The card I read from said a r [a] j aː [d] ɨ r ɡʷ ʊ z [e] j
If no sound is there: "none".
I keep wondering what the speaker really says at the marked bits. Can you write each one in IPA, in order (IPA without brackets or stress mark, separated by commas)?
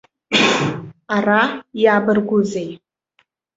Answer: a, b, e